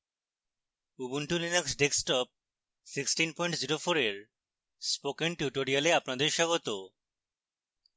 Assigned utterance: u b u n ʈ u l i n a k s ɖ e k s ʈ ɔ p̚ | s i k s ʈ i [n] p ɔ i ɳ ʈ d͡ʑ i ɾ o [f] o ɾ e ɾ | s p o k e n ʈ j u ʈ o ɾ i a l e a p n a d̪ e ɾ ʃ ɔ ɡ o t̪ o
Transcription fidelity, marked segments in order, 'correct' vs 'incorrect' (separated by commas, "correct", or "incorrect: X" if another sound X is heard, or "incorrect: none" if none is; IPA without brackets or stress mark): correct, correct